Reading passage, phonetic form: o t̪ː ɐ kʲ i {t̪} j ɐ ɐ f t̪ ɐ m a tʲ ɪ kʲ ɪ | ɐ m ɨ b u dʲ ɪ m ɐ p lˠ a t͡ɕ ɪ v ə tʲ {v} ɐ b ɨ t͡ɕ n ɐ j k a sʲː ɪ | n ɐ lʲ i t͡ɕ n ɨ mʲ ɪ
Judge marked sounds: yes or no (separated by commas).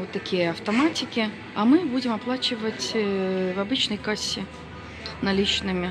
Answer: no, yes